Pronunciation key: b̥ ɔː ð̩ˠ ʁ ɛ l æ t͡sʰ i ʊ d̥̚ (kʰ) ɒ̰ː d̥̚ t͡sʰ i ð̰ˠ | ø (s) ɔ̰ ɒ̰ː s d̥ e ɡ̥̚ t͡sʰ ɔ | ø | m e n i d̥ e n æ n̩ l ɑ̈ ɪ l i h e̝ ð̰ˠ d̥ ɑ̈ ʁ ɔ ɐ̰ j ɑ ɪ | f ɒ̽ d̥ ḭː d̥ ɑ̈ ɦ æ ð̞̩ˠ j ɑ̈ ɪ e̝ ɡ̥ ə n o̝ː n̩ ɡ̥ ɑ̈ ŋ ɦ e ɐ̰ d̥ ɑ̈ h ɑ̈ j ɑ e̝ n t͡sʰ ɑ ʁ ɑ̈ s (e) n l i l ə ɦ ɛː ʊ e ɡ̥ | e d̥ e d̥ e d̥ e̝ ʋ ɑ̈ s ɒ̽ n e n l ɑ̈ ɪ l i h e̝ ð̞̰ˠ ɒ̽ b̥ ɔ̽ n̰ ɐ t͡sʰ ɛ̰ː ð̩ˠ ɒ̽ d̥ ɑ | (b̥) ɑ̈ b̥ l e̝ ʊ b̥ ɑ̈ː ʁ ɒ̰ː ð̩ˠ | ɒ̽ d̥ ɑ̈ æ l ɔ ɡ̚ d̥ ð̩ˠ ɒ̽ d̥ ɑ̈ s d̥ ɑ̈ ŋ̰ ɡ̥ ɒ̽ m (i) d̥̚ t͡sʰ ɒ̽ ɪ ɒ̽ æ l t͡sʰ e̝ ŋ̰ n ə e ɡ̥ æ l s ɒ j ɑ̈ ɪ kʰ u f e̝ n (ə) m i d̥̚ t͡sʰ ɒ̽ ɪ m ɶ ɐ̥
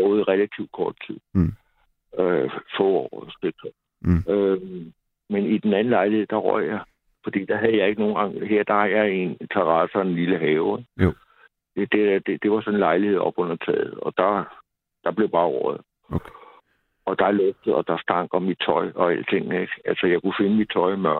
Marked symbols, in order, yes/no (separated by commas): yes, no, yes, no, yes, yes